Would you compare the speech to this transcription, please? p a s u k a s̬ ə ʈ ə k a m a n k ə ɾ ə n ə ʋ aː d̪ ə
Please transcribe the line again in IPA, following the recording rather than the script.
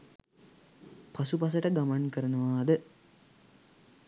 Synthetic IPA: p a s u p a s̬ ə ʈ ə ɡ a m a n k ə ɾ ə n ə ʋ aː d̪ ə